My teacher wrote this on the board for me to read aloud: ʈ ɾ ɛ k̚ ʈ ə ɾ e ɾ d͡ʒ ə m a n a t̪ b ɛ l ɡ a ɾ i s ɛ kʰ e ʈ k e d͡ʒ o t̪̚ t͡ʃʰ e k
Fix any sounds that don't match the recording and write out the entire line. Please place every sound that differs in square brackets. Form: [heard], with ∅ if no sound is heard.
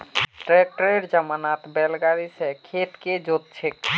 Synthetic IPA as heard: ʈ ɾ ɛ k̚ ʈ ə ɾ e ɾ d͡ʒ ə m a n a t̪ b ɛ l ɡ a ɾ i s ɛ kʰ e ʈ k e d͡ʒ o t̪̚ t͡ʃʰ e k